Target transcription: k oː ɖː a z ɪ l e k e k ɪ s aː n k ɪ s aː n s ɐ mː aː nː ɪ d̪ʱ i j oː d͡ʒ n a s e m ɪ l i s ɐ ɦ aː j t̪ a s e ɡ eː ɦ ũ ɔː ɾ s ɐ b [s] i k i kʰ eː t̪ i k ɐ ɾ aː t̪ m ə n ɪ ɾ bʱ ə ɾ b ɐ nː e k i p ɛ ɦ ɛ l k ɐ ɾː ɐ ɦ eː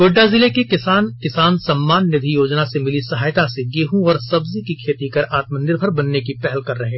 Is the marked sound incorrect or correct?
incorrect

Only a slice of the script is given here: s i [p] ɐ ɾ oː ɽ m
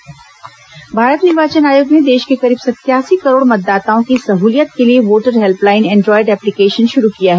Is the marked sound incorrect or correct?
incorrect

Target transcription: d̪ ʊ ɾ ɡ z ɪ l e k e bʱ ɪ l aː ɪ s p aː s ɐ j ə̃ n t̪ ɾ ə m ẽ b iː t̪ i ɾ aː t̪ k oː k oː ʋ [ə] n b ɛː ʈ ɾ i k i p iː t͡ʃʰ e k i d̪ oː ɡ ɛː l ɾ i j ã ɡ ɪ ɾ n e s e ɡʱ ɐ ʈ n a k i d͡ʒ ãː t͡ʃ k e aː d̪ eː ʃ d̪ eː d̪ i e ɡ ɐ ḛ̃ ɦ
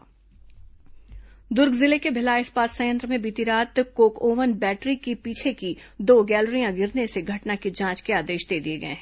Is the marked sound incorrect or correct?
correct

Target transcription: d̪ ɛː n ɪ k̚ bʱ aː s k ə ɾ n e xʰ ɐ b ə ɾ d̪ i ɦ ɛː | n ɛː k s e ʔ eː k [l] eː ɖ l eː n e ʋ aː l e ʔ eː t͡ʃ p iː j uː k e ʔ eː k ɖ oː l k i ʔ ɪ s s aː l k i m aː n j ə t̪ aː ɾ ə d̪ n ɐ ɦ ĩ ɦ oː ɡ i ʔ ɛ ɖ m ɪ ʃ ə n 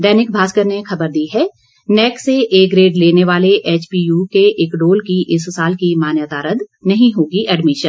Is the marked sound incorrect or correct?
incorrect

